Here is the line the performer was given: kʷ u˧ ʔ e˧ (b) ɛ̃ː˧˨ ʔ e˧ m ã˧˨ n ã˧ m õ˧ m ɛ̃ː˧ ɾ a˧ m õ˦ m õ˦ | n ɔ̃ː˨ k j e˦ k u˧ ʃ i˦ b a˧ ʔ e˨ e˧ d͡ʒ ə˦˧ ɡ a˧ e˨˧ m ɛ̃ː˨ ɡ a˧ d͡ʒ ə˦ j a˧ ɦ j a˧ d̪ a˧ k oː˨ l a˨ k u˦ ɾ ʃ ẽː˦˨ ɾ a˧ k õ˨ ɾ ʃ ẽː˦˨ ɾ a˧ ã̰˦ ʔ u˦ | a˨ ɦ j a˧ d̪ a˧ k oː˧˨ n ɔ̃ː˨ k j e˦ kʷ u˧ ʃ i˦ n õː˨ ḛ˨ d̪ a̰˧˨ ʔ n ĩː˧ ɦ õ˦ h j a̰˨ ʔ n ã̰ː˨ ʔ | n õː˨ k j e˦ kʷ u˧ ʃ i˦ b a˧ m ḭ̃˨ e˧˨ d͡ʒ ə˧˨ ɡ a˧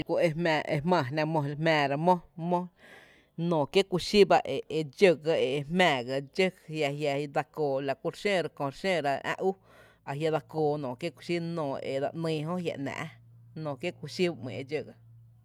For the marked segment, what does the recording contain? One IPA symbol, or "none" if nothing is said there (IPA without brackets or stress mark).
m